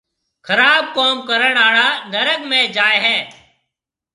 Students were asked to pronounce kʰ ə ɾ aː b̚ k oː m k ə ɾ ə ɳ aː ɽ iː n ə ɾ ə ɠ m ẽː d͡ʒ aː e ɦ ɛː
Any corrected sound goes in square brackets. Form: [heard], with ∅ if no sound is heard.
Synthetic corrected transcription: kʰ ə ɾ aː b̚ k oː m k ə ɾ ə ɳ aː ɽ [aː] n ə ɾ ə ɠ m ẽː d͡ʒ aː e ɦ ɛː